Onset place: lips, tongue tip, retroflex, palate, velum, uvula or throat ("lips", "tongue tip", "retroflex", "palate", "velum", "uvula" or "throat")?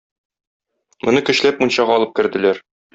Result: lips